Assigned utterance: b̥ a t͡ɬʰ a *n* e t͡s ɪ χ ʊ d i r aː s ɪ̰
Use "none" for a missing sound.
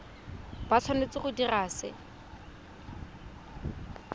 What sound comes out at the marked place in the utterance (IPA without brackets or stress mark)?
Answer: n